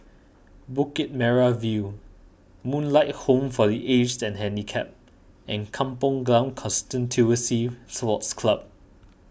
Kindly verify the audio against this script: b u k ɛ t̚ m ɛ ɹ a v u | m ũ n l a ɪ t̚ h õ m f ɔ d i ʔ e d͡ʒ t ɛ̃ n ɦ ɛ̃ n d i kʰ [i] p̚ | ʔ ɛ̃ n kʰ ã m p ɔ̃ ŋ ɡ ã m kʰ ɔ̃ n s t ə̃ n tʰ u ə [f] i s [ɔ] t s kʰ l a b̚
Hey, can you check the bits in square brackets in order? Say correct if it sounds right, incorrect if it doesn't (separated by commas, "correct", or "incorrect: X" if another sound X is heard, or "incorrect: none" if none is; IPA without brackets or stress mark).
incorrect: ɛ, incorrect: s, correct